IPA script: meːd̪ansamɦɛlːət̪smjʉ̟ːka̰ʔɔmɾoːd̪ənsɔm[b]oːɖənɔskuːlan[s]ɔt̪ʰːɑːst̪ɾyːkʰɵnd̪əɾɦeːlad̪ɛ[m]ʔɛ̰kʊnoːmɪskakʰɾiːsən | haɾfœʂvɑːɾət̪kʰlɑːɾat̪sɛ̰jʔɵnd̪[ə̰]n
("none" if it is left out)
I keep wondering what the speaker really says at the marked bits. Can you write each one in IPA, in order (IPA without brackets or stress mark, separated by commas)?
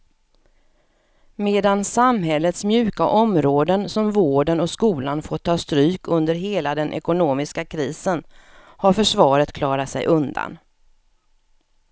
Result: v, f, n, a̰